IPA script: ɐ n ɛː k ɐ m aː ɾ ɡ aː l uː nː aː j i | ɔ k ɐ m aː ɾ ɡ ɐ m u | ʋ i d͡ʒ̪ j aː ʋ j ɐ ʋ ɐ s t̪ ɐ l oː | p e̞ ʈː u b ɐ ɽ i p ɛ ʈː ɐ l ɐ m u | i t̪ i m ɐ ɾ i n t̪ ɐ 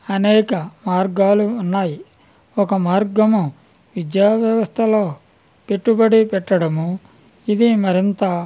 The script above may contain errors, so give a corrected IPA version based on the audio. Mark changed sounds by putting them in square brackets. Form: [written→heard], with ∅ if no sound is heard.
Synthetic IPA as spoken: ɐ n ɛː k ɐ m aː ɾ ɡ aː l uː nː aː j i | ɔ k ɐ m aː ɾ ɡ ɐ m u | ʋ i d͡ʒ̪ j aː ʋ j ɐ ʋ ɐ s [t̪→t̪ʰ] ɐ l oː | p e̞ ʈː u b ɐ ɽ i p ɛ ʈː ɐ [l→ɽ] ɐ m u | i [t̪→d̪] i m ɐ ɾ i n t̪ ɐ